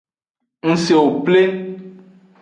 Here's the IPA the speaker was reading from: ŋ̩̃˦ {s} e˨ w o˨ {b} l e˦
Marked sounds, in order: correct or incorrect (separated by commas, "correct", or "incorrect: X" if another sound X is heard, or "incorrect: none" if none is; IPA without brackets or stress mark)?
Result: correct, incorrect: p